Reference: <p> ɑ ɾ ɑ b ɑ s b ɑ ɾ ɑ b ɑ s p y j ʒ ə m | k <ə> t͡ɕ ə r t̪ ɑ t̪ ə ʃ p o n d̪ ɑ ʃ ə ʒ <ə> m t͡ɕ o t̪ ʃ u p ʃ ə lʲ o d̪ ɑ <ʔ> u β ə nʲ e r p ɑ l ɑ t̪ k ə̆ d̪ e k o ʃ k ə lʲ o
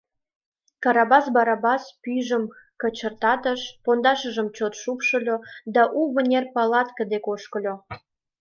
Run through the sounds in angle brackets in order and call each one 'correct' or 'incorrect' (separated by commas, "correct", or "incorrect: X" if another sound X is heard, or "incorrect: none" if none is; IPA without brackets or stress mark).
incorrect: k, correct, correct, correct